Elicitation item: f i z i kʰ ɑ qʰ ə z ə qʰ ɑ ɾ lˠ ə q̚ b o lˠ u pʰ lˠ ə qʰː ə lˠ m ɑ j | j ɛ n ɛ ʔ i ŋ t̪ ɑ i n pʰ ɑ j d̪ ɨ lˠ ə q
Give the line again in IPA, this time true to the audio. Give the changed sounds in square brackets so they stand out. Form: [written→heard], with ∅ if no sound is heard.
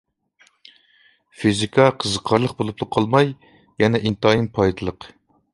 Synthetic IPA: f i z i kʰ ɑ qʰ ə z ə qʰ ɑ ɾ lˠ ə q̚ b o lˠ u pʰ lˠ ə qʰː [ə→ɑ] lˠ m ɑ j | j ɛ n ɛ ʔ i [ŋ→n] t̪ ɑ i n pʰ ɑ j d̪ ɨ lˠ ə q